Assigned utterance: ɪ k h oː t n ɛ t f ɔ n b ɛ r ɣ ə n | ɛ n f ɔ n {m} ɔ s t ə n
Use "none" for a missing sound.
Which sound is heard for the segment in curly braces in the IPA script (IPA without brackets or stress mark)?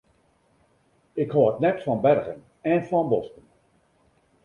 b